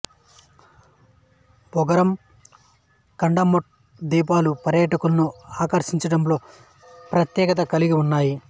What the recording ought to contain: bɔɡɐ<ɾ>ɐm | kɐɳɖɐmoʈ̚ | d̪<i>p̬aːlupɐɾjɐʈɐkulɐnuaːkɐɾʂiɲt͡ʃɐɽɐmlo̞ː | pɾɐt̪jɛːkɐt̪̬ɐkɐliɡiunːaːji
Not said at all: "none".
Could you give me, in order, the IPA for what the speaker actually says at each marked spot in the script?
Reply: ɾ, iː

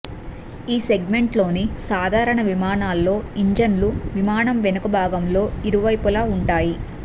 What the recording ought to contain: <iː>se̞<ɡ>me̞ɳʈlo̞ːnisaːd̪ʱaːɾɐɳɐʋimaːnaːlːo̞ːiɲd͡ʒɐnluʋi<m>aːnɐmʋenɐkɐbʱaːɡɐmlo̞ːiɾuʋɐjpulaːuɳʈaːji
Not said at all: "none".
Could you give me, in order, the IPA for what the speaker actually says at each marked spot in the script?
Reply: iː, ɡ, m

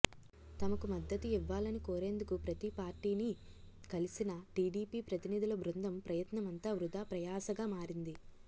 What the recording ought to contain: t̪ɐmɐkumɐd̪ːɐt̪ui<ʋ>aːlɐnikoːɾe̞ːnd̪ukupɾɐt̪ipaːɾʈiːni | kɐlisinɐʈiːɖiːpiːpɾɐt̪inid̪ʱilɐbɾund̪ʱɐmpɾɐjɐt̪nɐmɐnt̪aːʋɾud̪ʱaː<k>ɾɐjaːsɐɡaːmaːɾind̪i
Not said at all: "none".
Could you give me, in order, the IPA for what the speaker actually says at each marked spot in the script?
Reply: ʋː, p

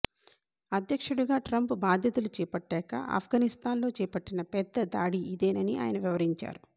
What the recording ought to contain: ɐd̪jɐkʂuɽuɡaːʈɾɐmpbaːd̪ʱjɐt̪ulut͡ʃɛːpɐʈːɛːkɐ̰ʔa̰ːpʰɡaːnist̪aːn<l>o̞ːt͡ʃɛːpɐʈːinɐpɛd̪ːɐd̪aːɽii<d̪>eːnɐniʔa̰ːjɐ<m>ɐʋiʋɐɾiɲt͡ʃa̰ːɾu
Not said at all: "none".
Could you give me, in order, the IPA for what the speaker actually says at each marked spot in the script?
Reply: l, d̪, n

